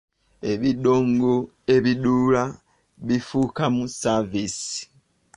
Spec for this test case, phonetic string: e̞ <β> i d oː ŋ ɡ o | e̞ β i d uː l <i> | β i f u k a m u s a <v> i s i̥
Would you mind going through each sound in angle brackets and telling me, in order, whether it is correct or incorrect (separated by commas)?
correct, incorrect, correct